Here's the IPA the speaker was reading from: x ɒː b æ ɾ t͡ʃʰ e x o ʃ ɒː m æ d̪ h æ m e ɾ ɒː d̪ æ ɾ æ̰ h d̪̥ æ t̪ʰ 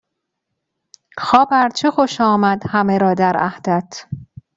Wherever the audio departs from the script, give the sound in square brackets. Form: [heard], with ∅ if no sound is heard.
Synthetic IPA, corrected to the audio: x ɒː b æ ɾ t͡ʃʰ e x o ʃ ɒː m æ d̪ h æ m e ɾ ɒː d̪ æ ɾ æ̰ h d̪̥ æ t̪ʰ

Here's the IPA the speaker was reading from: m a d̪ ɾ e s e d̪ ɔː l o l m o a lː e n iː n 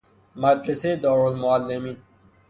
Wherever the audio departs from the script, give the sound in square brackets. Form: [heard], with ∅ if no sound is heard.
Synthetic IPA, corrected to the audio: m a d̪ ɾ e s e d̪ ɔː [ɾ] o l m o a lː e [m] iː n

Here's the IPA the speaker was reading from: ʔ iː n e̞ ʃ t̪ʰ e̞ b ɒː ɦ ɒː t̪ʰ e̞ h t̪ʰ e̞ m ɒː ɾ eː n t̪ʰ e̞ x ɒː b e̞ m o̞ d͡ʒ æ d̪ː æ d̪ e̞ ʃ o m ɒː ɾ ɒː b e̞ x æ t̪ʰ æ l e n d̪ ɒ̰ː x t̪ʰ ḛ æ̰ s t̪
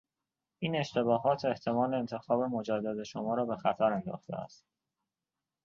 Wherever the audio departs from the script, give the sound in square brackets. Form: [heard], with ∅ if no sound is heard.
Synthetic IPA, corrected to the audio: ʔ iː n e̞ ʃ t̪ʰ e̞ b ɒː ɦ ɒː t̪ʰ e̞ h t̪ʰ e̞ m ɒː [l] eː n t̪ʰ e̞ x ɒː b e̞ m o̞ d͡ʒ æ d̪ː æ d̪ e̞ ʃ o m ɒː ɾ ɒː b e̞ x æ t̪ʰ æ [ɾ] e n d̪ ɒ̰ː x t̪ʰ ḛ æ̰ s t̪

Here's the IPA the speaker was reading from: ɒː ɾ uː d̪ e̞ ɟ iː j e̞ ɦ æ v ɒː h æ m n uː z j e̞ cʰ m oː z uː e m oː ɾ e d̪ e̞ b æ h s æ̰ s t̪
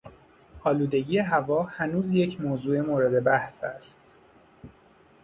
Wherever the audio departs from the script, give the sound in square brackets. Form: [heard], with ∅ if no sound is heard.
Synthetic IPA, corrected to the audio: ɒː [l] uː d̪ e̞ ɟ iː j e̞ ɦ æ v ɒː h æ [∅] n uː z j e̞ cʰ m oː z uː e m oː ɾ e d̪ e̞ b æ h s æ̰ s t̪

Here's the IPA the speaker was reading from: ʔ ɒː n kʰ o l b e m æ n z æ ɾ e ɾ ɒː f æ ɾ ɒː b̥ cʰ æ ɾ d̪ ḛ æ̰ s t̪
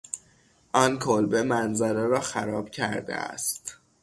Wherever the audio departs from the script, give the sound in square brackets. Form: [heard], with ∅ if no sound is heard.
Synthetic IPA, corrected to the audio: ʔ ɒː n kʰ o l b e m æ n z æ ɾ e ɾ ɒː [x] æ ɾ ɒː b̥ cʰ æ ɾ d̪ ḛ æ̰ s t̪

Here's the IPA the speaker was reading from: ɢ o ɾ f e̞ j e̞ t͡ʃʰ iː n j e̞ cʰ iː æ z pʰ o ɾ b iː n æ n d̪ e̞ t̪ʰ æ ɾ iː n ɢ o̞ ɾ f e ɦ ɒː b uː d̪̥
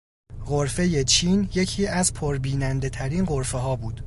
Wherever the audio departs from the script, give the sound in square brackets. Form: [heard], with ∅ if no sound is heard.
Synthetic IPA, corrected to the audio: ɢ o ɾ f e̞ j e̞ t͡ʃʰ iː n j e̞ cʰ iː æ z pʰ o ɾ b iː n æ n d̪ e̞ t̪ʰ æ ɾ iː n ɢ o̞ ɾ f e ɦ ɒː b uː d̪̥

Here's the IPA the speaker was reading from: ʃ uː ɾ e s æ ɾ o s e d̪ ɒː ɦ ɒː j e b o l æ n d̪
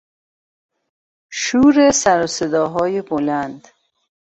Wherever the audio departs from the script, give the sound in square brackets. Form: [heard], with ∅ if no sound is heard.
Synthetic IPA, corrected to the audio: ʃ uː ɾ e s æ ɾ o s e d̪ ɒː ɦ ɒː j e b o l æ n d̪

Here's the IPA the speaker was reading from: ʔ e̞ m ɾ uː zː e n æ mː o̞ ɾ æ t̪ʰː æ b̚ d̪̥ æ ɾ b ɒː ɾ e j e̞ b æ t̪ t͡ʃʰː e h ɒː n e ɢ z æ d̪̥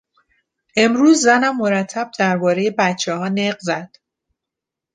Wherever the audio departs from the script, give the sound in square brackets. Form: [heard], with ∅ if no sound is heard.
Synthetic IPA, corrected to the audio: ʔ e̞ m ɾ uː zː [æ] n æ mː o̞ ɾ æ t̪ʰː æ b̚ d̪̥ æ ɾ b ɒː ɾ e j e̞ b æ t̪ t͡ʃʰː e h ɒː n e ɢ z æ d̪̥

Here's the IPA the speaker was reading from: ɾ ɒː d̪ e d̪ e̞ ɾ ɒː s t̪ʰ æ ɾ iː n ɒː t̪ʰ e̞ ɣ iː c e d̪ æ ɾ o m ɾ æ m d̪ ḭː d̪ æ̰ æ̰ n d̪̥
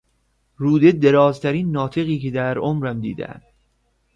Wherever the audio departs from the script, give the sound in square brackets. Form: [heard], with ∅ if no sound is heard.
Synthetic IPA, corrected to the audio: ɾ [uː] d̪ e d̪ e̞ ɾ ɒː [z] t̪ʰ æ ɾ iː [nː] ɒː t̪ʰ e̞ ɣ iː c e d̪ æ ɾ o m ɾ æ m d̪ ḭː d̪ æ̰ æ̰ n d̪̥

